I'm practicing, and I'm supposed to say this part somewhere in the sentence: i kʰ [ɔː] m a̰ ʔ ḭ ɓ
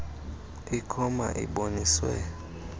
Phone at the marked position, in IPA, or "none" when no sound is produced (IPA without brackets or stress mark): ɔ